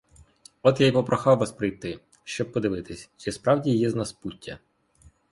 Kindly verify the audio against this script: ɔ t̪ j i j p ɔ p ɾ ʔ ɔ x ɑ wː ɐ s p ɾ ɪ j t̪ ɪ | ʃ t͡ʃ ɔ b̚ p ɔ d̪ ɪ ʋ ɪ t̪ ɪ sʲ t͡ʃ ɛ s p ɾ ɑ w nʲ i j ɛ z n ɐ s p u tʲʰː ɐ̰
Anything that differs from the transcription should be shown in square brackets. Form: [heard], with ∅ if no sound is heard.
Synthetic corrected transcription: ɔ t̪ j [a] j p ɔ p ɾ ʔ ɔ x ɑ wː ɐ s p ɾ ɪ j t̪ ɪ | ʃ t͡ʃ ɔ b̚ p ɔ d̪ ɪ ʋ ɪ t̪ ɪ sʲ t͡ʃ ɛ s p ɾ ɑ w [dʲ] i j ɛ z n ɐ s p u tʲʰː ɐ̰